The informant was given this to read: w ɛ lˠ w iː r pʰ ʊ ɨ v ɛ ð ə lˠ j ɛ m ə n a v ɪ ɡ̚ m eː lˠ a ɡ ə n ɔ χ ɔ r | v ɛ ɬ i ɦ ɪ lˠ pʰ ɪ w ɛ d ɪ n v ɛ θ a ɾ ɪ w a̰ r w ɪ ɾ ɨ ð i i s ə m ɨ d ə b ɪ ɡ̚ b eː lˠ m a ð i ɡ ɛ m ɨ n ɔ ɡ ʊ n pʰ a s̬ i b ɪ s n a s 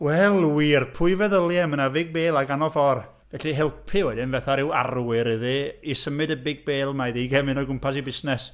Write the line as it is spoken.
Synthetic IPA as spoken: w ɛ lˠ w iː r pʰ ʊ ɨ v ɛ ð ə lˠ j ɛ m ə n a v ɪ ɡ̚ b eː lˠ a ɡ a n ɔ f ɔ r | v ɛ ɬ i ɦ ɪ lˠ pʰ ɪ w ɛ d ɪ n v ɛ θ a ɾ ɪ w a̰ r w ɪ ɾ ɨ ð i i s ə m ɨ d ə b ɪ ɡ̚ b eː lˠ m a ð i ɡ ɛ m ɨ n ɔ ɡ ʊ m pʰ a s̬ i b ɪ s n ɛ s